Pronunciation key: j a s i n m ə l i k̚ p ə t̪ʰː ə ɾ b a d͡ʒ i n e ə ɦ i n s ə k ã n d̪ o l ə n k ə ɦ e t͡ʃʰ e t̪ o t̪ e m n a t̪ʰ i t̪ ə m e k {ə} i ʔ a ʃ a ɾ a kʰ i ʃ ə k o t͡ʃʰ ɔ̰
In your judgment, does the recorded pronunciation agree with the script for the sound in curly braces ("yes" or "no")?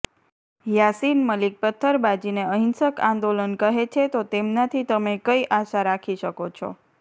yes